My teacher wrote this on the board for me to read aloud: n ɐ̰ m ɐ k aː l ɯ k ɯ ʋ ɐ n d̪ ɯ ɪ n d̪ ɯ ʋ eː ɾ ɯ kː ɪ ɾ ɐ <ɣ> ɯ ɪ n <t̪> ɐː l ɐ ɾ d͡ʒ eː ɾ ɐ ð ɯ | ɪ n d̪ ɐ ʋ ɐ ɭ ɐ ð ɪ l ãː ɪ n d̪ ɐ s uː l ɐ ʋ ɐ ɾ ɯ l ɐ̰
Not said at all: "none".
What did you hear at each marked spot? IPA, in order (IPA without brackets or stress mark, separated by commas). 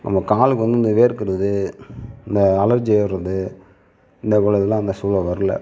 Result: ð, d̪